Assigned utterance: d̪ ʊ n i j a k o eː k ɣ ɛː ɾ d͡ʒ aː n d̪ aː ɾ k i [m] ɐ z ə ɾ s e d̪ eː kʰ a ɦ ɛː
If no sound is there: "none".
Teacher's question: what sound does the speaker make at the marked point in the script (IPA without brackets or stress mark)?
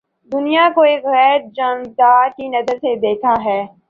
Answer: n